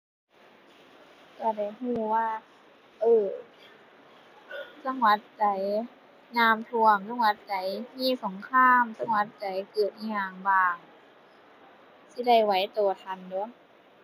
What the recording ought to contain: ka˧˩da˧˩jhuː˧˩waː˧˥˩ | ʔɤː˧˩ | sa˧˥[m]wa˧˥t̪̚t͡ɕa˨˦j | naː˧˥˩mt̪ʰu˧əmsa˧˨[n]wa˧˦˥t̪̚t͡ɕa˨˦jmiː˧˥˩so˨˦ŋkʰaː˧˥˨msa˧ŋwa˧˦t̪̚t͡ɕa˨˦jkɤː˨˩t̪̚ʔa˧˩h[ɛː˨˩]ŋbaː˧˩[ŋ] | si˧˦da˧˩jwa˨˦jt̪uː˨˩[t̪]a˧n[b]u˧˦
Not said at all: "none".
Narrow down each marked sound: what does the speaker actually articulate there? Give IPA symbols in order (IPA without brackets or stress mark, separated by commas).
ŋ, ŋ, aː˨˩, ŋ, t̪ʰ, d